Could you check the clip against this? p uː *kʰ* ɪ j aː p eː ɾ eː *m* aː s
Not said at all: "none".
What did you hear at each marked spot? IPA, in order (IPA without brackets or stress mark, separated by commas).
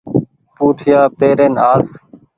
ʈʰ, n